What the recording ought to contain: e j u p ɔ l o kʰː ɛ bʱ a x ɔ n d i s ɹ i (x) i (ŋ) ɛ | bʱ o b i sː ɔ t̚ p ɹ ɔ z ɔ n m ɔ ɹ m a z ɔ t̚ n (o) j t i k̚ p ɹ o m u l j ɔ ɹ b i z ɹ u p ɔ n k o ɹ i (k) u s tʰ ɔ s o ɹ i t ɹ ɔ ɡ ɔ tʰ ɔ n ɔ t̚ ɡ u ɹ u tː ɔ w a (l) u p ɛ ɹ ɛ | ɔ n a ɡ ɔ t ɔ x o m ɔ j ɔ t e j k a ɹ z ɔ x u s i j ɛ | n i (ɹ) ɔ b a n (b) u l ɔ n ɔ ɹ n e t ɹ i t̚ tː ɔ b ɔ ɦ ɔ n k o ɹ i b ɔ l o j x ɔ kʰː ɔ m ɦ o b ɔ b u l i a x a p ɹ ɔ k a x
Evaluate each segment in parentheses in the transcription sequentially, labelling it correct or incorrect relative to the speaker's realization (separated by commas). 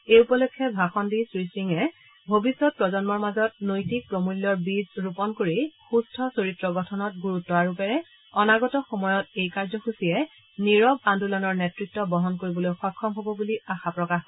incorrect, correct, correct, incorrect, incorrect, correct, incorrect